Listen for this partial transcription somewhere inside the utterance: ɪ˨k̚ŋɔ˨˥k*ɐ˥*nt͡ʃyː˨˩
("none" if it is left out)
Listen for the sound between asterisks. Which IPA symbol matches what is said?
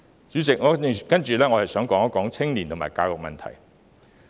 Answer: ɐ˥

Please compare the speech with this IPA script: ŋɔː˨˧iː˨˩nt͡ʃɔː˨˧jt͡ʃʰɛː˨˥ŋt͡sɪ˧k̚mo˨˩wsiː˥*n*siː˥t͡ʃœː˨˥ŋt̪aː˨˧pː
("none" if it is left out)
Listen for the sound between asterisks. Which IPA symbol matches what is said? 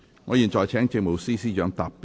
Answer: none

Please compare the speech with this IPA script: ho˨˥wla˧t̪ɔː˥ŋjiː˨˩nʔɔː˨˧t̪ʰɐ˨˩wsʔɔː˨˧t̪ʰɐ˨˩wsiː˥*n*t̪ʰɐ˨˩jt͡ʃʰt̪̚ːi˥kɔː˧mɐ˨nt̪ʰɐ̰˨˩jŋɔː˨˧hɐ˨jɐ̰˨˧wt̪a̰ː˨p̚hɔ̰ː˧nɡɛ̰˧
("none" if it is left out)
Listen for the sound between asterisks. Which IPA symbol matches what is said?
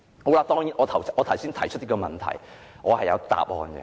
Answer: n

